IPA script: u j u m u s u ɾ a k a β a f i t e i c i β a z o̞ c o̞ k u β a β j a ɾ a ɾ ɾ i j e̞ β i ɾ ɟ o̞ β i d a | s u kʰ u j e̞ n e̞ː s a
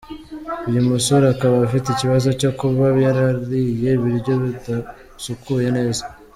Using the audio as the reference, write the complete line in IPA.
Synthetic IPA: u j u m u s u ɾ a k a β a f i t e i c i β a z o̞ c o̞ k u β a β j a ɾ a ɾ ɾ i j e̞ β i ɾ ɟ o̞ β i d a | s u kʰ u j e̞ n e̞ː z a